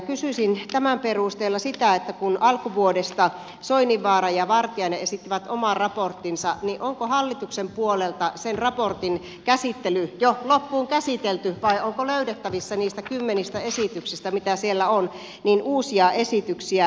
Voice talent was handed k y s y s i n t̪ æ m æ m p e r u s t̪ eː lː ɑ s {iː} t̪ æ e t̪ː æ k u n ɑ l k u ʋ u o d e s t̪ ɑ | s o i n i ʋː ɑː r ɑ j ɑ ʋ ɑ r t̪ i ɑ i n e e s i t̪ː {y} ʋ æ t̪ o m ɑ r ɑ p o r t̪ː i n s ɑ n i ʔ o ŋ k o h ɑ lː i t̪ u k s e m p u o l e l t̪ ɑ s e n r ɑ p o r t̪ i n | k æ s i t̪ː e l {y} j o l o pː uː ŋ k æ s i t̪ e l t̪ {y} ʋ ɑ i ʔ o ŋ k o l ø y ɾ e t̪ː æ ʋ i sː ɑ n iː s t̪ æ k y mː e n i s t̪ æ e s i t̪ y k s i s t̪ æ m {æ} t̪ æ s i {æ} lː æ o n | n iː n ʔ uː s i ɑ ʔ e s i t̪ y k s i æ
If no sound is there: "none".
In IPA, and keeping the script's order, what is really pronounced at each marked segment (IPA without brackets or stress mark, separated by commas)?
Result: i, i, y, y, i, e